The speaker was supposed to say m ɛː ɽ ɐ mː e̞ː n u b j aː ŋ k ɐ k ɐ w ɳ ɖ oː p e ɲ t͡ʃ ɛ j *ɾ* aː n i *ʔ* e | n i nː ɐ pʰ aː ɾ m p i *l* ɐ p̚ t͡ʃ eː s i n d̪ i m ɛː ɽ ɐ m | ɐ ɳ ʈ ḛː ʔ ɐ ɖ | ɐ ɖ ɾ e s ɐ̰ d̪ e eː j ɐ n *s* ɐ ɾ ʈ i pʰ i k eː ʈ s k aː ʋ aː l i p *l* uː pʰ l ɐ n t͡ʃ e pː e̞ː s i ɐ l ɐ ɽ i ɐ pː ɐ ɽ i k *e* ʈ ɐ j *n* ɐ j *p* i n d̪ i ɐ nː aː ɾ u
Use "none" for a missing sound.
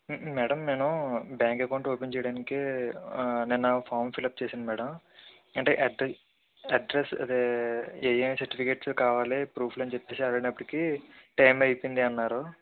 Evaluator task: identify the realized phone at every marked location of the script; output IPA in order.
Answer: ɽ, k, l, s, ɾ, i, m, p

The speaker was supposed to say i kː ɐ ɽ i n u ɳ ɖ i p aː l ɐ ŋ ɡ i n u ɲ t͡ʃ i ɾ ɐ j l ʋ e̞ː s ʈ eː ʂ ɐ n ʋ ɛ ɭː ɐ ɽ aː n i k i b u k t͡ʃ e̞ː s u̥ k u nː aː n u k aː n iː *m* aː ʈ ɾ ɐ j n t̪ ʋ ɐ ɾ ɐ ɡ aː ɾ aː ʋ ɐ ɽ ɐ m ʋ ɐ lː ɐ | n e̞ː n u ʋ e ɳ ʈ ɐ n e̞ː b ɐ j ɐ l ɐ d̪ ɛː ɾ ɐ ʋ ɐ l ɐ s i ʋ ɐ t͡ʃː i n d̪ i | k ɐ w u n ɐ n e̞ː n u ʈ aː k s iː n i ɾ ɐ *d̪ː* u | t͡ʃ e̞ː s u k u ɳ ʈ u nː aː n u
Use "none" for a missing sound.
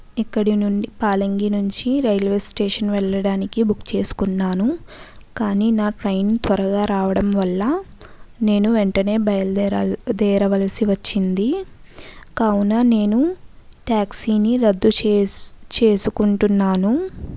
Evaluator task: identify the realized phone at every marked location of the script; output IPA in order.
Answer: n, d̪ː

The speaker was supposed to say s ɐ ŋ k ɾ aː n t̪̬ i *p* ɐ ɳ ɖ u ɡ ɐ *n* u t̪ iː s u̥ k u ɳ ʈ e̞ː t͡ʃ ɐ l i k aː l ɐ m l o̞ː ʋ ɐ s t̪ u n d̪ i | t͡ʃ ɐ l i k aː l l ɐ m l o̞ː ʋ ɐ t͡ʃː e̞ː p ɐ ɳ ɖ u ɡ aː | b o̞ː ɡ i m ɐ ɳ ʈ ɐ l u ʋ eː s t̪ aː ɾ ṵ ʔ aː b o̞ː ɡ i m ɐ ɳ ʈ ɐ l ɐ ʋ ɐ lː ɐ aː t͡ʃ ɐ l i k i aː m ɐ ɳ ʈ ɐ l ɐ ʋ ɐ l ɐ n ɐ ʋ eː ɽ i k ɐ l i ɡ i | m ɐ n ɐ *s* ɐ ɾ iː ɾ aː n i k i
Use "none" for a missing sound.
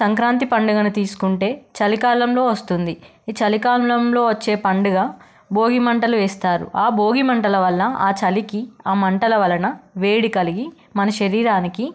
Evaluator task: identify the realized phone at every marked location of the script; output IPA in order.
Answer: p, n, ʃ

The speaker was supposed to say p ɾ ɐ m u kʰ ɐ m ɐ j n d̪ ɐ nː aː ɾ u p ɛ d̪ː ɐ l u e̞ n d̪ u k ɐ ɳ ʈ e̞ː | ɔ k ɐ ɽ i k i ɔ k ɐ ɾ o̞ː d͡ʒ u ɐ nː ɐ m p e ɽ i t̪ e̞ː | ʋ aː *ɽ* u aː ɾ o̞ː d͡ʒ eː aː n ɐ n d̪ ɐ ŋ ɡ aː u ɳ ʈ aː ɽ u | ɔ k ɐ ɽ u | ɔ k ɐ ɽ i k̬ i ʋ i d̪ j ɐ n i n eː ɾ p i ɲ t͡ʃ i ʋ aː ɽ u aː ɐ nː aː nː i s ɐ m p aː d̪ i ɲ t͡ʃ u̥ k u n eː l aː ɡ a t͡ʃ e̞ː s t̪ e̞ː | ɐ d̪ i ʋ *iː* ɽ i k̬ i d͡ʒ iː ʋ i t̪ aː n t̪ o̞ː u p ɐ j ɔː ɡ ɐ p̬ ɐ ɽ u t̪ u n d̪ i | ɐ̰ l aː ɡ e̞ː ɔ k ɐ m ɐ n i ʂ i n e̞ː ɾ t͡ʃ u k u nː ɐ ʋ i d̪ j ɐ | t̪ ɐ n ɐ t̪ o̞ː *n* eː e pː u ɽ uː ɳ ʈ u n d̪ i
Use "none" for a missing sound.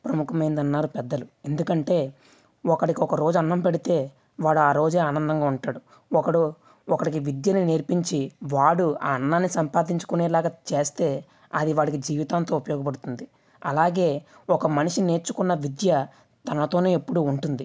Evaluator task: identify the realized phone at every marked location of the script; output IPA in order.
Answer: ɽ, aː, n

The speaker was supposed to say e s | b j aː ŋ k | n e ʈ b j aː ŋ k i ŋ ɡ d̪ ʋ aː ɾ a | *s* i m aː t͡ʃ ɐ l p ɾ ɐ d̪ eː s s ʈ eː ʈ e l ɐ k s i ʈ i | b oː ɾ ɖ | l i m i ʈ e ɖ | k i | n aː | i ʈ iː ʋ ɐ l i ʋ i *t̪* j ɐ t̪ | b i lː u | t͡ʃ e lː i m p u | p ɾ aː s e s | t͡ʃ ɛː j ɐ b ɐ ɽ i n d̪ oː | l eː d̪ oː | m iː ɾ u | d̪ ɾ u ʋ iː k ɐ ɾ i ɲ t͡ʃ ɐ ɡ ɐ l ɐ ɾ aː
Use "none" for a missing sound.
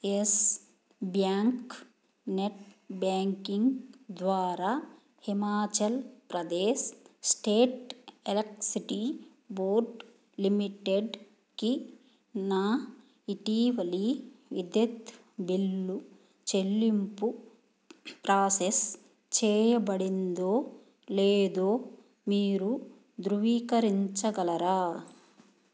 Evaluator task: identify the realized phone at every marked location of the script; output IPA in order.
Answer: h, d̪

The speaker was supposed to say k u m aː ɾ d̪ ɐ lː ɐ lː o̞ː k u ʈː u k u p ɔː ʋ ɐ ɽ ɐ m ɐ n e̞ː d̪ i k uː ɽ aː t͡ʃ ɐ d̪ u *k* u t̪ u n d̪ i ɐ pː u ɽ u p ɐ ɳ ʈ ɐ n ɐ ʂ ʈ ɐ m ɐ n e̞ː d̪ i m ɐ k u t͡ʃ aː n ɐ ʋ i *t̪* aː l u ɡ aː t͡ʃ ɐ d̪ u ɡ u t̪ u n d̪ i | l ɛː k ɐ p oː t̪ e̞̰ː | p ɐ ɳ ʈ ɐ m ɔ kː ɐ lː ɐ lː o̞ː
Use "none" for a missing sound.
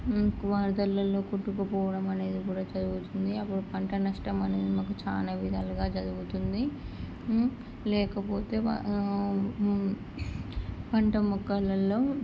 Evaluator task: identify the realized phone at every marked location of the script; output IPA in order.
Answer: ɡ, d̪

